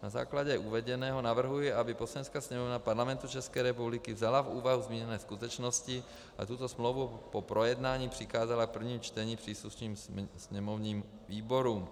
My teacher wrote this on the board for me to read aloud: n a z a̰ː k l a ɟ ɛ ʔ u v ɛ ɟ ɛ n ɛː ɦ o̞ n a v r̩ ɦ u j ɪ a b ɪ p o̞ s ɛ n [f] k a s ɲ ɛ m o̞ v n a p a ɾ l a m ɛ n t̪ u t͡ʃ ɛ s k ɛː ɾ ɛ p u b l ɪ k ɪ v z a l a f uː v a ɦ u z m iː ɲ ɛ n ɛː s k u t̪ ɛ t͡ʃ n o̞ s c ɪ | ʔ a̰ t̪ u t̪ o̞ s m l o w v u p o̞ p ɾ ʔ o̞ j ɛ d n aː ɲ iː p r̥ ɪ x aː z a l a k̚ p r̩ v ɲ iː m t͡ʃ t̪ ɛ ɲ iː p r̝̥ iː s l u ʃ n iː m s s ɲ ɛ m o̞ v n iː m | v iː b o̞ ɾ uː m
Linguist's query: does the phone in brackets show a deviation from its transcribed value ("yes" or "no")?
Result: yes